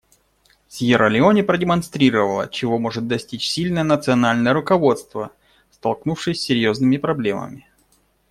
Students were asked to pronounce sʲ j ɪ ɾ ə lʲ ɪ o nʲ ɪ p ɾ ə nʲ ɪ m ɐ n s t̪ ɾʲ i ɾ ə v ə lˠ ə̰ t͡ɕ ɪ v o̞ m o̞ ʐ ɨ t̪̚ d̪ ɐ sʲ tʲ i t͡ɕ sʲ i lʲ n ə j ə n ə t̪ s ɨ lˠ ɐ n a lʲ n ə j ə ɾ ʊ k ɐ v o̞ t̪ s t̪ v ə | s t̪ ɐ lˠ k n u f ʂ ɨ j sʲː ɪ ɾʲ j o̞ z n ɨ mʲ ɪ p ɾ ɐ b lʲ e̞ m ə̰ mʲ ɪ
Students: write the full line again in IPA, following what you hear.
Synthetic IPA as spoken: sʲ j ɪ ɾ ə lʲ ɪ o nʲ ɪ p ɾ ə dʲ ɪ m ɐ n s t̪ ɾʲ i ɾ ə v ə lˠ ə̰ t͡ɕ ɪ v o̞ m o̞ ʐ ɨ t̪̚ d̪ ɐ sʲ tʲ i t͡ɕ sʲ i lʲ n ə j ə n ə t̪ s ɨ ɐ n a lʲ n ə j ə ɾ ʊ k ɐ v o̞ t̪ s t̪ v ə | s t̪ ɐ lˠ k n u f ʂ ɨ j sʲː ɪ ɾʲ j o̞ z n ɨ mʲ ɪ p ɾ ɐ b lʲ e̞ m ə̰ mʲ ɪ